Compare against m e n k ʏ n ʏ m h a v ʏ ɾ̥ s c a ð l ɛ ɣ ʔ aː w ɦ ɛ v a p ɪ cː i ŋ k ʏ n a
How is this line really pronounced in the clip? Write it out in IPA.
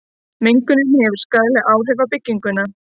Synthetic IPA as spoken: m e ŋ k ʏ n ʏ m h ɛ v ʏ ɾ̥ s k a ð l ɛ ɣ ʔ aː w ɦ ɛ v a p ɪ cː i ŋ k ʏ n a